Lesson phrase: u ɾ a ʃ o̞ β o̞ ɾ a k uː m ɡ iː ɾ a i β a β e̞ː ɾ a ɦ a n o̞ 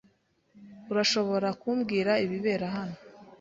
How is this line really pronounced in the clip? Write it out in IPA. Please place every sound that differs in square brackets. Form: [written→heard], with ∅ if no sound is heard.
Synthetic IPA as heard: u ɾ a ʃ o̞ β o̞ ɾ a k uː m ɡ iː ɾ a i β [a→i] β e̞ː ɾ a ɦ a n o̞